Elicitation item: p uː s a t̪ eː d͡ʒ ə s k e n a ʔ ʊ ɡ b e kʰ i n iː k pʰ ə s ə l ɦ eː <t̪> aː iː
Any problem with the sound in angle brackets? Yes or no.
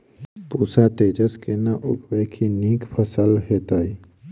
no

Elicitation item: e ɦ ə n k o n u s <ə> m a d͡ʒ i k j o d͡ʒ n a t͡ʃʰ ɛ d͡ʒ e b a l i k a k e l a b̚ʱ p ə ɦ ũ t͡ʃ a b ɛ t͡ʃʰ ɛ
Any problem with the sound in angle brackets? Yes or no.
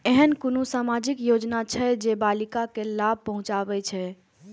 yes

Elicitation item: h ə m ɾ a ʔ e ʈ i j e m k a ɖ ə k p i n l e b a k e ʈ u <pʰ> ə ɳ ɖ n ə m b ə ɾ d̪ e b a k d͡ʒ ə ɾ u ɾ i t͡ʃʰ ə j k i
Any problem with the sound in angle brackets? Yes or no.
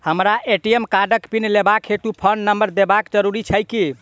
no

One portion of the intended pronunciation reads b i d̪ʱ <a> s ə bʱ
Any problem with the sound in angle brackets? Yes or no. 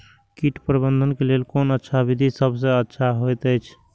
yes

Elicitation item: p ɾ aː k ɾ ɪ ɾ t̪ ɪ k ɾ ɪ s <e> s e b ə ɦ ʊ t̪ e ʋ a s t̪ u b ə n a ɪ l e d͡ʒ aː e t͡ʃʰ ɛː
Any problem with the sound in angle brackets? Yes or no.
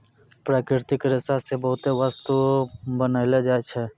yes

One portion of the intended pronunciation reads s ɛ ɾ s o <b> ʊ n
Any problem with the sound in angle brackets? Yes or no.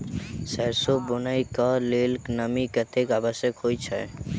no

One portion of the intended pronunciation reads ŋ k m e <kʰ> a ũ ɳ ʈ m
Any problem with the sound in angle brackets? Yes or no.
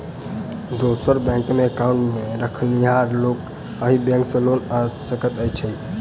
yes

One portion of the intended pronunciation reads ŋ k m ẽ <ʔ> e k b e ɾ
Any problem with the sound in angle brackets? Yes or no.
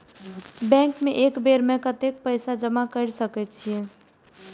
no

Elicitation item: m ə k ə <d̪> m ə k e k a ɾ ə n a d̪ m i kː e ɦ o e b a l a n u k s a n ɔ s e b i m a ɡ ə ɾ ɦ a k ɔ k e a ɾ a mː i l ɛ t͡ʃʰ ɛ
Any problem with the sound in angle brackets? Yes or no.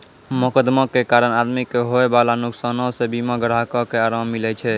no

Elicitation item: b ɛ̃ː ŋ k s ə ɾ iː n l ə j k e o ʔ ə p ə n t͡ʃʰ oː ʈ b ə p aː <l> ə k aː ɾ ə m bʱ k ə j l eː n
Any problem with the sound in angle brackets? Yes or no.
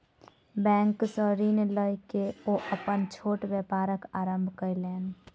yes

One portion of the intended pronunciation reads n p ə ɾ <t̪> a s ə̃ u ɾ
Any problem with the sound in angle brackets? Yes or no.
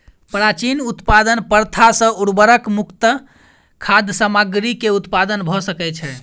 yes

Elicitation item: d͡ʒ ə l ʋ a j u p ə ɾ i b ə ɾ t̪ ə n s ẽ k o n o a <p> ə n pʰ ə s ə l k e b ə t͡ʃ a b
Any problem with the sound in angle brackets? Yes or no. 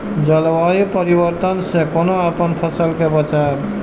no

